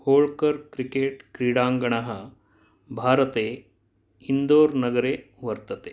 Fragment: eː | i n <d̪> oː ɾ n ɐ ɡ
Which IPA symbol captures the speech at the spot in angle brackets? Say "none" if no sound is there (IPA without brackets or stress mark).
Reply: d̪